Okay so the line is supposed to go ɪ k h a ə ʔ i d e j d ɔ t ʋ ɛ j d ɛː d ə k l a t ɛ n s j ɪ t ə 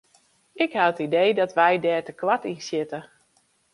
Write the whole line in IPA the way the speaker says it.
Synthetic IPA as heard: ɪ k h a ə t i d e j d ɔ t ʋ ɛ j d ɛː t ə k l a t i n s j ɪ t ə